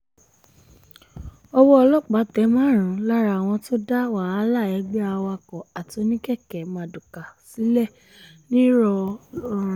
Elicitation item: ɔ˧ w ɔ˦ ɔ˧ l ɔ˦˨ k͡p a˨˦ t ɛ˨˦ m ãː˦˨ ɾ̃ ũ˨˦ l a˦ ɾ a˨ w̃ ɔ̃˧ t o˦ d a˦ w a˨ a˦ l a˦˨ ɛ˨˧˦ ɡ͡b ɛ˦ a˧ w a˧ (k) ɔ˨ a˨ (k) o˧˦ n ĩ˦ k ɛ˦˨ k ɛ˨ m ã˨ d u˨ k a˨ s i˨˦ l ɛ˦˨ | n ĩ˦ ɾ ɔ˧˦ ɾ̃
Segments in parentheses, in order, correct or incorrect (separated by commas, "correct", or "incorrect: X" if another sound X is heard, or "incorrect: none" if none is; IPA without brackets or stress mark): correct, incorrect: t